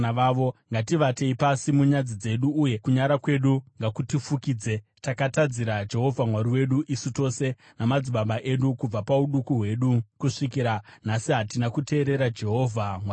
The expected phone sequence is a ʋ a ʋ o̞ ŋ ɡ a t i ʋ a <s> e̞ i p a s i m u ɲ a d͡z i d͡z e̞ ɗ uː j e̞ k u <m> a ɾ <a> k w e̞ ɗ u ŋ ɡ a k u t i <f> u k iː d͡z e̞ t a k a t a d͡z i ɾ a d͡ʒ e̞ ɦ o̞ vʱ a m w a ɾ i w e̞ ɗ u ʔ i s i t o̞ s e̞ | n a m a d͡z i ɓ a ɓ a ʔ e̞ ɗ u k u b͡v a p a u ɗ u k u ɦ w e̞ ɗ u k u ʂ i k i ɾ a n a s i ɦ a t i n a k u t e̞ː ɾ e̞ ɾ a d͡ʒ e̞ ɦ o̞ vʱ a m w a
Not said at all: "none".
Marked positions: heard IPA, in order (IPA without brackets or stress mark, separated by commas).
t, ɲ, a, f